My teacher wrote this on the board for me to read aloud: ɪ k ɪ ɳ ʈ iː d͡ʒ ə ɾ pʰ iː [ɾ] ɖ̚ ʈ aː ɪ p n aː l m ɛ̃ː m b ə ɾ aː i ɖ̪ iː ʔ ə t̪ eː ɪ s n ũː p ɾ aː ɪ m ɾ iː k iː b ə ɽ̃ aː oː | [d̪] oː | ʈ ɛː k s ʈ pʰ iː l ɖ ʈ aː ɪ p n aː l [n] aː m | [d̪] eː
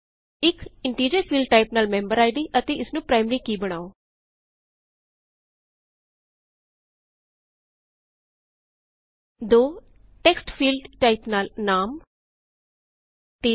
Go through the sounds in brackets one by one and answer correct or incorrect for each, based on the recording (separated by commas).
incorrect, correct, correct, incorrect